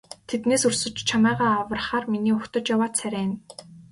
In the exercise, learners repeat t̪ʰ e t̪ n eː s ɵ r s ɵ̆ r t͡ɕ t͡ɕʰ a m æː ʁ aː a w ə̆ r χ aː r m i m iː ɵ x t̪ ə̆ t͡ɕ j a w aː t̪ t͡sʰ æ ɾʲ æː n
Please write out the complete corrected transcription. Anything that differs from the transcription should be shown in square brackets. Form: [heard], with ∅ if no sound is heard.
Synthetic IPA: t̪ʰ e t̪ n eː s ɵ r s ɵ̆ [∅] t͡ɕ t͡ɕʰ a m æː ʁ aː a w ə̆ r χ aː r m i [n] iː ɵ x t̪ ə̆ t͡ɕ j a w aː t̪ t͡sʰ æ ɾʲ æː n